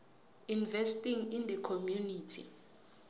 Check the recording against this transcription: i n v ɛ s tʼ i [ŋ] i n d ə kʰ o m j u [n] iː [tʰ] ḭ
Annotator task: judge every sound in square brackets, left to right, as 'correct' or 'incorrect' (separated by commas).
correct, correct, correct